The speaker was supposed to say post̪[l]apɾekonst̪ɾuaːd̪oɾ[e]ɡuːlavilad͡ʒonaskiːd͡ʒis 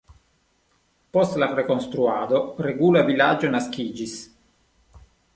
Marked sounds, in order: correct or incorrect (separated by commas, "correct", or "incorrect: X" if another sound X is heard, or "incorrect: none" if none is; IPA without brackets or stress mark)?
correct, correct